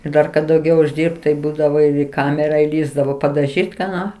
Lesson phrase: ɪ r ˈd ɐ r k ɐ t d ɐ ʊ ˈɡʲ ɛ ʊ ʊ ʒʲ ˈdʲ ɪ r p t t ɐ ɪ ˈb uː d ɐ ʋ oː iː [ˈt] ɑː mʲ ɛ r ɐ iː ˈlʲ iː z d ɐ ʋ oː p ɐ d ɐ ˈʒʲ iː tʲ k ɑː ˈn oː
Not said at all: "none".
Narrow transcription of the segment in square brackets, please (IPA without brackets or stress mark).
k